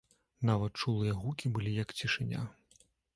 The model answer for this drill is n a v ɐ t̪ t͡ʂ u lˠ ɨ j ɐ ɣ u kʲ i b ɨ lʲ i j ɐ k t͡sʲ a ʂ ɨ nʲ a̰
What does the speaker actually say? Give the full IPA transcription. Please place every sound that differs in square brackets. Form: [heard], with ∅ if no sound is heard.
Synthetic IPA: n a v ɐ t̪ t͡ʂ u lˠ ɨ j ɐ ɣ u kʲ i b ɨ lʲ i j ɐ k t͡sʲ [i] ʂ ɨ nʲ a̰